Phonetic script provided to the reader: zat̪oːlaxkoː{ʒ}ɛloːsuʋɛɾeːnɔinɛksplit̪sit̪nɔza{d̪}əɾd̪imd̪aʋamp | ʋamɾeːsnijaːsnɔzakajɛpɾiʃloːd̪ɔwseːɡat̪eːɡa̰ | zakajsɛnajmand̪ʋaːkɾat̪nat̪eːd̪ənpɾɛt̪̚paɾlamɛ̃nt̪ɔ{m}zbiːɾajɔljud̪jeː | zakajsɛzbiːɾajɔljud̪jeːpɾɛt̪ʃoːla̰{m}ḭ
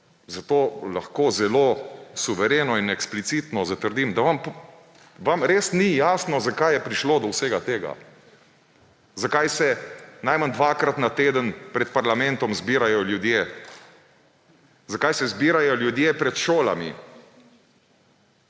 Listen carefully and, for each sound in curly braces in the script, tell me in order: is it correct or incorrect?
incorrect: z, incorrect: t̪, correct, correct

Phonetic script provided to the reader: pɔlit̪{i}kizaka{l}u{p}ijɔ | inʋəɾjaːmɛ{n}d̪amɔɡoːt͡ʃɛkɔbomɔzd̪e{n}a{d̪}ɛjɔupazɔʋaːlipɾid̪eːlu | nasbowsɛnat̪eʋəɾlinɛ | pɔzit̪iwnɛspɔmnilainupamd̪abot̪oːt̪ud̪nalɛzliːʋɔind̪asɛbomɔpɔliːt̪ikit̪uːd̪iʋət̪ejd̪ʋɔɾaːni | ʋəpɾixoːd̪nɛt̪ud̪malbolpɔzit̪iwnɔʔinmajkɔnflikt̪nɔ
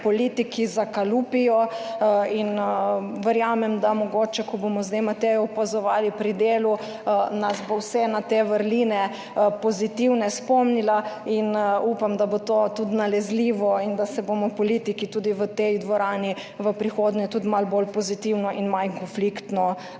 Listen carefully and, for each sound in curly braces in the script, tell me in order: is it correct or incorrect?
correct, correct, correct, incorrect: m, incorrect: m, incorrect: t̪

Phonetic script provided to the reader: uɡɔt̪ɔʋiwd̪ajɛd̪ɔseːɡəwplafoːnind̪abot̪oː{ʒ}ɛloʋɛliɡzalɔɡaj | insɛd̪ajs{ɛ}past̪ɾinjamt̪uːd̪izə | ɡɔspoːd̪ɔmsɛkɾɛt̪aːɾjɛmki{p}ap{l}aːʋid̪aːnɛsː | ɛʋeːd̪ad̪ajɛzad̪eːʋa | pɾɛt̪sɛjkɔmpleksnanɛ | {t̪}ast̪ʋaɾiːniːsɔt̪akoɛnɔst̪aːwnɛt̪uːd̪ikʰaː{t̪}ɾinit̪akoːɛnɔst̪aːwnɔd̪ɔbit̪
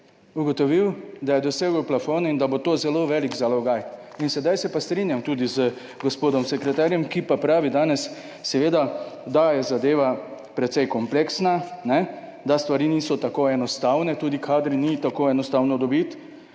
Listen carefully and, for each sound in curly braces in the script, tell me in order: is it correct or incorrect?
incorrect: z, correct, correct, incorrect: ɾ, incorrect: d̪, incorrect: d̪

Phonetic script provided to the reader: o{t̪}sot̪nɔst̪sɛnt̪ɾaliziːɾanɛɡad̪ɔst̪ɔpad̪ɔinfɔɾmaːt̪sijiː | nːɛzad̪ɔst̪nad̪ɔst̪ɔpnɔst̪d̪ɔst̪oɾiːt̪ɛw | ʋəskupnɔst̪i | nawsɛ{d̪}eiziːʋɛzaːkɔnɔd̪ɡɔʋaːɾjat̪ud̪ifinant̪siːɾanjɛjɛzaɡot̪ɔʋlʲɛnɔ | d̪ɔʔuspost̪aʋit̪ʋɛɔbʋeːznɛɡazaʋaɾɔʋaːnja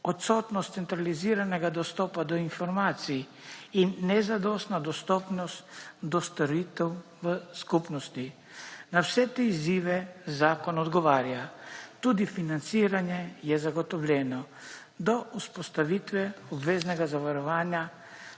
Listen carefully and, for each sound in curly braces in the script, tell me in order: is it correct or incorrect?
correct, incorrect: t̪

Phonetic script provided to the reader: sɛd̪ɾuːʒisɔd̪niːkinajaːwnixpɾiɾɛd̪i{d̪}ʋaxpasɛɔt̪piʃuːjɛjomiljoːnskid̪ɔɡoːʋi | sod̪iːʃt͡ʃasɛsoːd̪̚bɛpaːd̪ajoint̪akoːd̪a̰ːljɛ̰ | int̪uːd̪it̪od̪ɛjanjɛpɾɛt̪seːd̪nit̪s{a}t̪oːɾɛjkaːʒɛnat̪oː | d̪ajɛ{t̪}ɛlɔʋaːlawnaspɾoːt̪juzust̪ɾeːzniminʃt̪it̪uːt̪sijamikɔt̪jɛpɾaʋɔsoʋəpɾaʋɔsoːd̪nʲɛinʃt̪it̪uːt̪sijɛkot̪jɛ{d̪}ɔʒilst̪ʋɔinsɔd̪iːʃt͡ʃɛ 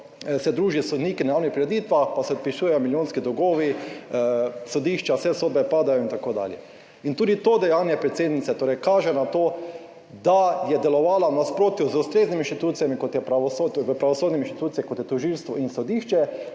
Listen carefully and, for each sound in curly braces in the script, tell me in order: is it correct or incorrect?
incorrect: t̪, incorrect: ɛ, incorrect: d̪, incorrect: t̪

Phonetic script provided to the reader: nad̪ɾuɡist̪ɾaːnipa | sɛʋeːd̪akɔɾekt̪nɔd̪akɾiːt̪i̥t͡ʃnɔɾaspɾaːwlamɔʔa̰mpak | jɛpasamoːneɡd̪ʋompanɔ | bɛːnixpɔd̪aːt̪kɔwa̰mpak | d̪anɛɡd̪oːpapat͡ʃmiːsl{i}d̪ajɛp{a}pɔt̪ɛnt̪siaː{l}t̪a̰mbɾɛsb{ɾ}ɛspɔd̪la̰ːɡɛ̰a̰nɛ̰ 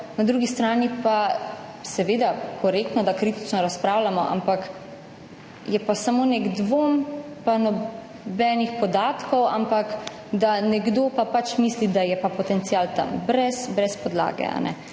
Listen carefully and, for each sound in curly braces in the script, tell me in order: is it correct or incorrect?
correct, correct, correct, correct

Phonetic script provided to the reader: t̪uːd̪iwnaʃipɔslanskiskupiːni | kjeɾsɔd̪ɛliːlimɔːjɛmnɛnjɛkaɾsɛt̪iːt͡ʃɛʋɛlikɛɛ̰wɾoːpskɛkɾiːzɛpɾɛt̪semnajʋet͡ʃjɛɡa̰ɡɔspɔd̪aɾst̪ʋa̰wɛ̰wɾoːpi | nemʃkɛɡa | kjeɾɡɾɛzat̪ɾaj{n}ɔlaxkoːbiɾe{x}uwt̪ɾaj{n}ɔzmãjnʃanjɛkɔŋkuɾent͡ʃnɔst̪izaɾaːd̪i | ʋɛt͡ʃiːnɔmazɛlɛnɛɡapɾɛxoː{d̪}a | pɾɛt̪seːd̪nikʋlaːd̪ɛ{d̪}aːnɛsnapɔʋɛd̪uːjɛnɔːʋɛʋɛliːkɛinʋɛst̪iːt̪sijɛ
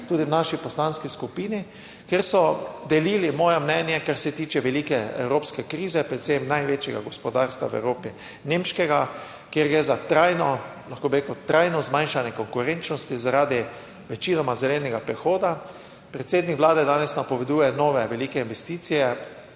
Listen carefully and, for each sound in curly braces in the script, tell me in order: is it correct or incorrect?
correct, incorrect: k, correct, correct, correct

